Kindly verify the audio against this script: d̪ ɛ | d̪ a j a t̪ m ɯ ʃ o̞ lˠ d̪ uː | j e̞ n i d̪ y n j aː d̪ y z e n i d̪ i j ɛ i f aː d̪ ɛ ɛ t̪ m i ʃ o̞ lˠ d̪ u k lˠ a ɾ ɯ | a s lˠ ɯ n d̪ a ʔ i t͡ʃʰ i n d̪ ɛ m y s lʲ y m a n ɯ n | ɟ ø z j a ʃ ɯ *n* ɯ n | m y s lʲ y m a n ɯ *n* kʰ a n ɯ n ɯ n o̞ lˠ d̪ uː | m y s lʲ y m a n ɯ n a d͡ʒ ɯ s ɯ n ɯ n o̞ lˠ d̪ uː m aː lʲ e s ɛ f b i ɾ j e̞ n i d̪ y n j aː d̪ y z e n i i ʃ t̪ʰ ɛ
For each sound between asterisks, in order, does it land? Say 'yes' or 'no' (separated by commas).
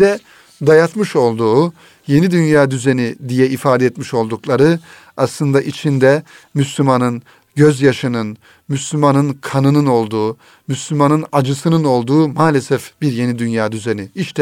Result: yes, yes